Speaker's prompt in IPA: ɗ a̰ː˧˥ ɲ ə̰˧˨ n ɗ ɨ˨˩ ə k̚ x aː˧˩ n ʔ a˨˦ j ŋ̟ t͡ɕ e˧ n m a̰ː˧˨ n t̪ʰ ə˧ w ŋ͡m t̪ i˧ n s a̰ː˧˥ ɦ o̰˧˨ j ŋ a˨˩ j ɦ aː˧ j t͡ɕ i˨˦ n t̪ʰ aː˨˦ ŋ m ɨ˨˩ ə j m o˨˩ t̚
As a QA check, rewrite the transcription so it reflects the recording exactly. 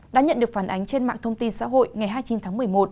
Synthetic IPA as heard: ɗ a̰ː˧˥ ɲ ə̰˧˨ n ɗ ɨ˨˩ ə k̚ f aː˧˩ n ʔ a˨˦ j ŋ̟ t͡ɕ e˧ n m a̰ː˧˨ ŋ t̪ʰ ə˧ w ŋ͡m t̪ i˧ n s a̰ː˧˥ ɦ o̰˧˨ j ŋ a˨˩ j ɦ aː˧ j t͡ɕ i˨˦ n t̪ʰ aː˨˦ ŋ m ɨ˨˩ ə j m o˨˩ t̚